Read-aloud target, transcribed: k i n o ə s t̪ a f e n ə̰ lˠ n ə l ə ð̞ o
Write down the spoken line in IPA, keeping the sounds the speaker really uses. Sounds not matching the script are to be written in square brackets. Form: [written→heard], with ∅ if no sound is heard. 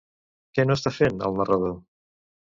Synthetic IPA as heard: k [i→ɛ] n o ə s t̪ a f e n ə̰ lˠ n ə [l→r] ə ð̞ o